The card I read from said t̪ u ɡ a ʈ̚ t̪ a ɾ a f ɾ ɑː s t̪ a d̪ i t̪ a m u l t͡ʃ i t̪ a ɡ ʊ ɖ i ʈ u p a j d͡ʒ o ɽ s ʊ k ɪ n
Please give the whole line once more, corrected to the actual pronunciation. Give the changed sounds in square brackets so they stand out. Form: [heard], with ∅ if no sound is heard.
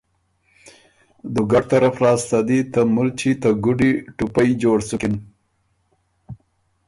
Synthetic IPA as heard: [d̪] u ɡ a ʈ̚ t̪ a ɾ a f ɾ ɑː s t̪ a d̪ i t̪ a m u l t͡ʃ i t̪ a ɡ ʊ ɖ i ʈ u p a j d͡ʒ o ɽ s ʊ k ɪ n